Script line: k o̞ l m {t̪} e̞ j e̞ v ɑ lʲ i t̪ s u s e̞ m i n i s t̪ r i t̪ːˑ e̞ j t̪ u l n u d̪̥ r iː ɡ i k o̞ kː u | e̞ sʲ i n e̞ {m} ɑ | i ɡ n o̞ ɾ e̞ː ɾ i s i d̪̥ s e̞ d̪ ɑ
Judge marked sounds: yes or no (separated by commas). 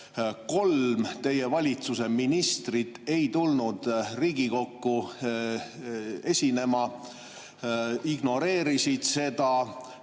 yes, yes